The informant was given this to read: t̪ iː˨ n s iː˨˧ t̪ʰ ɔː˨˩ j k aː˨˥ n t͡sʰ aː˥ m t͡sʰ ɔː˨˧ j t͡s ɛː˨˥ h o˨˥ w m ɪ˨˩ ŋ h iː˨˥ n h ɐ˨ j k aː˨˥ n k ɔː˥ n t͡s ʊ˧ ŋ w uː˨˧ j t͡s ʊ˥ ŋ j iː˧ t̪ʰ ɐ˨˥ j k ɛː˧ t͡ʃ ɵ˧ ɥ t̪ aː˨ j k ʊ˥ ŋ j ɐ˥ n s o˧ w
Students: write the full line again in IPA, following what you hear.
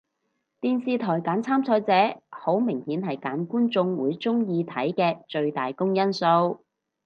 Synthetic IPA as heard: t̪ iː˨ n s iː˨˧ t̪ʰ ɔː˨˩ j k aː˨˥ n t͡sʰ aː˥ m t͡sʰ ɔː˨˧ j t͡s ɛː˨˥ h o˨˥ w m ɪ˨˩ ŋ h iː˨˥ n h ɐ˨ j k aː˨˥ n k uː˥ n t͡s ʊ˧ ŋ w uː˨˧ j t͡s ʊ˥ ŋ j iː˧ t̪ʰ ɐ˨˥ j k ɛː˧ t͡ʃ ɵ˧ ɥ t̪ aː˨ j k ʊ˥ ŋ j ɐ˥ n s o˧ w